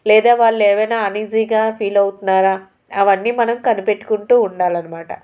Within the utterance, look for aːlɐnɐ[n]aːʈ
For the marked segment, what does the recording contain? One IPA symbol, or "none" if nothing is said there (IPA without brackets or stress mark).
m